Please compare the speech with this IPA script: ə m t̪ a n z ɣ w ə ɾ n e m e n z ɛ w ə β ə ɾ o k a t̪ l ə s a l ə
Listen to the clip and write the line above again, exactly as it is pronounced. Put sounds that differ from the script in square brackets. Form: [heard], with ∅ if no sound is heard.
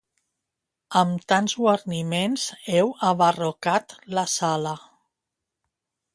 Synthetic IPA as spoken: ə m t̪ a n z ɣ w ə ɾ n [i] m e n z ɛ w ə β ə [r] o k a t̪ l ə s a l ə